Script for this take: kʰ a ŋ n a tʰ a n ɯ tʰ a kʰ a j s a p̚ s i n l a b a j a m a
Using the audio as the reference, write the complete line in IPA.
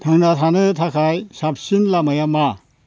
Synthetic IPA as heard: tʰ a ŋ n a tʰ a n ɯ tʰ a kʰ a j s a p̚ s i n l a m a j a m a